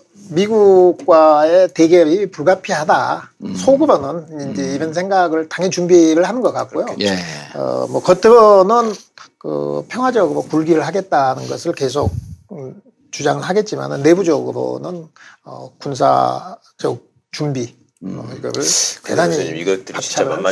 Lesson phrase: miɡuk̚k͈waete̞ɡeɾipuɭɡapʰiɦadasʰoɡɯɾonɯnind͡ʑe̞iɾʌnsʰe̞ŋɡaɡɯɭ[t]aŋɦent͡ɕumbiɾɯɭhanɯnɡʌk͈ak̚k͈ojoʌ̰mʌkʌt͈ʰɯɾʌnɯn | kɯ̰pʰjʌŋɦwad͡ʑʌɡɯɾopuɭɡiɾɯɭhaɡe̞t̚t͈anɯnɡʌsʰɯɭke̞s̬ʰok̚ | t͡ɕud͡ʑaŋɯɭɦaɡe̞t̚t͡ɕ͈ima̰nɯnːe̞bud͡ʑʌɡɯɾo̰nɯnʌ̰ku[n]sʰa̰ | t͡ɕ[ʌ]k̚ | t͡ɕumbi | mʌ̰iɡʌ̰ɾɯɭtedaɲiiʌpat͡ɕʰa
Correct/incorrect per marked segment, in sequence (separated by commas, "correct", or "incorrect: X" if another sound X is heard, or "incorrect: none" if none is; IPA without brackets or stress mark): correct, correct, correct